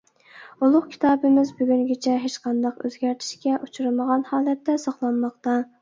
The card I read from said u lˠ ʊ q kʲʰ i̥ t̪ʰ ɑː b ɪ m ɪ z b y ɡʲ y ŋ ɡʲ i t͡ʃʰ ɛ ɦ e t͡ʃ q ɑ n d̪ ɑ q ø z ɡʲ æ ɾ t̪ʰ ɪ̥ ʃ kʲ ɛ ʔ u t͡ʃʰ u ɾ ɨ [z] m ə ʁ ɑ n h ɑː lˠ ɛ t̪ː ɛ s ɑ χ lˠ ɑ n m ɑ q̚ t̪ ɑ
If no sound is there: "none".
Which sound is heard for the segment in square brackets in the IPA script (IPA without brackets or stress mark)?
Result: none